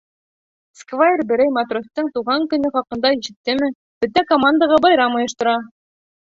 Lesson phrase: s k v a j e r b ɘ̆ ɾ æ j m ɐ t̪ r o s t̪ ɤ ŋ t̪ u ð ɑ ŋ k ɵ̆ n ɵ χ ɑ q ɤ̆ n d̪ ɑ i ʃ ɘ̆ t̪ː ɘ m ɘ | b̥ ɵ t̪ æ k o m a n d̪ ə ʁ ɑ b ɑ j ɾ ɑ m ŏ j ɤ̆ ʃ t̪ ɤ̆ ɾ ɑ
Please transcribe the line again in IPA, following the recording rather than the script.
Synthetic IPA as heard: s k v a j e r b ɘ̆ ɾ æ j m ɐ t̪ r o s t̪ ɤ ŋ t̪ u ʁ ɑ ŋ k ɵ̆ n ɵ χ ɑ q ɤ̆ n d̪ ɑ i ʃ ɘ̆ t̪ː ɘ m ɘ | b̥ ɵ t̪ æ k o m a n d̪ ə ʁ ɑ b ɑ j ɾ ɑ m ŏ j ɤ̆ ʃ t̪ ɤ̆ ɾ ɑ